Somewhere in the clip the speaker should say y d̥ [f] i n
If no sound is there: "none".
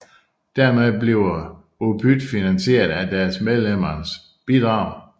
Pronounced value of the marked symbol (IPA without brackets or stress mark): f